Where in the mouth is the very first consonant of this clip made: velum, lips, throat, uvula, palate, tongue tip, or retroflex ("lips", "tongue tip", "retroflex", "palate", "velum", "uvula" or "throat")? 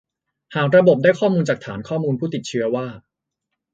throat